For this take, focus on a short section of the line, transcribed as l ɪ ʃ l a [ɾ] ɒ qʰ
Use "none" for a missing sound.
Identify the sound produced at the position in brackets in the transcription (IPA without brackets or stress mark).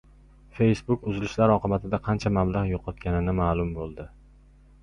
ɾ